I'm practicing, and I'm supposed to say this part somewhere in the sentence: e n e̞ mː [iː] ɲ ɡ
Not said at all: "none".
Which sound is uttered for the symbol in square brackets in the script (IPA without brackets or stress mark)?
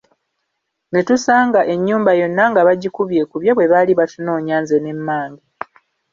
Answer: aː